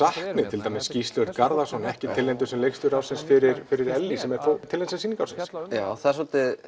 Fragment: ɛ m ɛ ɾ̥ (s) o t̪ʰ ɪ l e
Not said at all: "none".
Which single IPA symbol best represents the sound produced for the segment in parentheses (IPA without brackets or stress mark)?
f